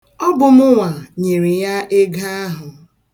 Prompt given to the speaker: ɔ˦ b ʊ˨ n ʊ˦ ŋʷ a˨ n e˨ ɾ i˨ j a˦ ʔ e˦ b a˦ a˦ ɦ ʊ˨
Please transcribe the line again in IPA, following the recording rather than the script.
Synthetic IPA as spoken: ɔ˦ b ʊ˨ m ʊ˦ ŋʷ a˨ ɲ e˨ ɾ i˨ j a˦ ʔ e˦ ɡ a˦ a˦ ɦ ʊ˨